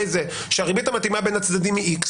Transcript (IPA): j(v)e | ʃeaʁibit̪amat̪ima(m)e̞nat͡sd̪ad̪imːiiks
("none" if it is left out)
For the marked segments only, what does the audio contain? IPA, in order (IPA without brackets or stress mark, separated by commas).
z, b